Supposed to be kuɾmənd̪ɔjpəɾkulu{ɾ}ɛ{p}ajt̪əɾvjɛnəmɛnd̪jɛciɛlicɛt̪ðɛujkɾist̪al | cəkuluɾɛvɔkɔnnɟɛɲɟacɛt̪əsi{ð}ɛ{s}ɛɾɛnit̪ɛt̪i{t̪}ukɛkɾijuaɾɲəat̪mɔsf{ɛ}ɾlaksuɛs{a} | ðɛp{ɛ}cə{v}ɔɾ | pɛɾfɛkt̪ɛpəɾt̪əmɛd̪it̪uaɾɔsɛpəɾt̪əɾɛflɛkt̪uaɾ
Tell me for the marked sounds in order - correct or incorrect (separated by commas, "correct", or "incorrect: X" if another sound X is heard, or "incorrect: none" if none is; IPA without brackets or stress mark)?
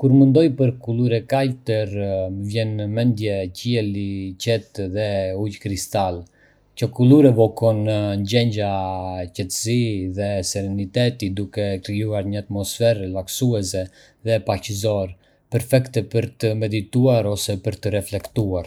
correct, incorrect: k, correct, correct, incorrect: d̪, correct, incorrect: ɛ, incorrect: a, incorrect: z